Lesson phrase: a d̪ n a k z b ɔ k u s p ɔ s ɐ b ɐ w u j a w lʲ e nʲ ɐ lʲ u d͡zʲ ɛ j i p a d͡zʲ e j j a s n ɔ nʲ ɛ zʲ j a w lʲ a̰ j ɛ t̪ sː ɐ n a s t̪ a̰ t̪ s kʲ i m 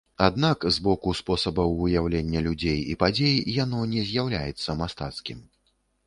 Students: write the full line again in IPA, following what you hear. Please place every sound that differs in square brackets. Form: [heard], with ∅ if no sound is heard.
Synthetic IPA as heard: a d̪ n a k z b ɔ k u s p ɔ s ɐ b ɐ w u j a w lʲ e [nʲː] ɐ lʲ u d͡zʲ [e] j i p a d͡zʲ e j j a [∅] n ɔ nʲ ɛ zʲ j a w lʲ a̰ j ɛ t̪ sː ɐ [m] a s t̪ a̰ t̪ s kʲ i m